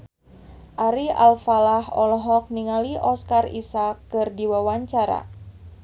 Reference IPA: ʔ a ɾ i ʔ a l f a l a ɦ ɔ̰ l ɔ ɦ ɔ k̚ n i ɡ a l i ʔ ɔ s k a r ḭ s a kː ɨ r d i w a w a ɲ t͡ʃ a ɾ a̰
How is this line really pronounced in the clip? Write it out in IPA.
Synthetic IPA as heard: ʔ a ɾ i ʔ a l f a l a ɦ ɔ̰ l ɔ ɦ ɔ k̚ n i ŋ a l i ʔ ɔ s k a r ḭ s a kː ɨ r d i w a w a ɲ t͡ʃ a ɾ a̰